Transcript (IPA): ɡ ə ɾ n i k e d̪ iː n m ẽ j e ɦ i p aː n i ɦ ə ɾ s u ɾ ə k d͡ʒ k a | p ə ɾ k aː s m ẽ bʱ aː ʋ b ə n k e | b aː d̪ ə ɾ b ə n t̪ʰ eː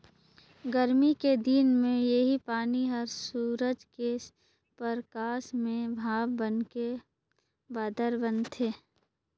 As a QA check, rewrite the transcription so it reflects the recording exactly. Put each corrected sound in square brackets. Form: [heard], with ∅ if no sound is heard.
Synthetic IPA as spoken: ɡ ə ɾ [m] i k e d̪ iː n m ẽ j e ɦ i p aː n i ɦ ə ɾ s [uː] ɾ ə [∅] d͡ʒ k [e] | p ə ɾ k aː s m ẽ bʱ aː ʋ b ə n k e | b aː d̪ ə ɾ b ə n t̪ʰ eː

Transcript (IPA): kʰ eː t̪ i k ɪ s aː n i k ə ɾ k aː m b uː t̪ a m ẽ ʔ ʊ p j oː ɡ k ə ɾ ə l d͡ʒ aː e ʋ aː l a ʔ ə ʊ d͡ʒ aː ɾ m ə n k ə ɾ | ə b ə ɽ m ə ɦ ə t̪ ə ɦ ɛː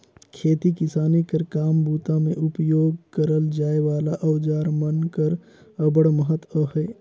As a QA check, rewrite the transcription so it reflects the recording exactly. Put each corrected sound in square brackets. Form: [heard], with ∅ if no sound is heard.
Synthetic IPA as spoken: kʰ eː t̪ i k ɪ s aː n i k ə ɾ k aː m b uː t̪ a m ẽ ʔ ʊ p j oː ɡ k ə ɾ ə l d͡ʒ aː e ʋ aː l a ʔ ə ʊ d͡ʒ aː ɾ m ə n k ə ɾ | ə b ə ɽ m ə ɦ ə t̪ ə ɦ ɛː

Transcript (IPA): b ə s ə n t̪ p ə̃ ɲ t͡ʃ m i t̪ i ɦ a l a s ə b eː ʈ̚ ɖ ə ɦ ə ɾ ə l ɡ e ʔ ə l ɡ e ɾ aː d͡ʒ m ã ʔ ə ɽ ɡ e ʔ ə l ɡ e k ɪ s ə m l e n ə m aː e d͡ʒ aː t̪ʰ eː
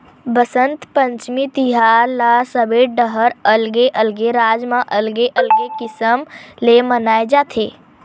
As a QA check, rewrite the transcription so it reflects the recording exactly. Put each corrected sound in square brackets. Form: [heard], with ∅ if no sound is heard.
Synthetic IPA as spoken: b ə s ə n t̪ p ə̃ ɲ t͡ʃ m i t̪ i ɦ a l a s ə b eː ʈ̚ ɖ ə ɦ ə ɾ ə l ɡ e ʔ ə l ɡ e ɾ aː d͡ʒ m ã ʔ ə [l] ɡ e ʔ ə l ɡ e k ɪ s ə m l e [m] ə [n] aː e d͡ʒ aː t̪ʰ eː

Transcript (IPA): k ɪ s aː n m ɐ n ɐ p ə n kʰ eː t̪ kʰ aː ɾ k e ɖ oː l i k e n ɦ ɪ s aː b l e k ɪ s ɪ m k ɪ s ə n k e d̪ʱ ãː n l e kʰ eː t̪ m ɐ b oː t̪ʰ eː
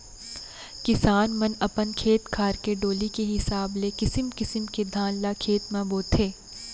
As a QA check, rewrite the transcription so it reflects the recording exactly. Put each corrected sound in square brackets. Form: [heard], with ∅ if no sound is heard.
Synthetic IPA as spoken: k ɪ s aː n m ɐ n ɐ p ə n kʰ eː t̪ kʰ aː ɾ k e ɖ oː l i k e [∅] ɦ ɪ s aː b l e k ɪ s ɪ m k ɪ s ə [m] k e d̪ʱ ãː n l [a] kʰ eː t̪ m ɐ b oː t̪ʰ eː

